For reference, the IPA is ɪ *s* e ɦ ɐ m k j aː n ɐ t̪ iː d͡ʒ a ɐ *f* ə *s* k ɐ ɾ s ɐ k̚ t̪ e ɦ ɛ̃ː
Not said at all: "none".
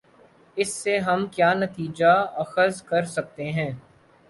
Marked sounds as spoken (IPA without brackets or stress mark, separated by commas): sː, x, z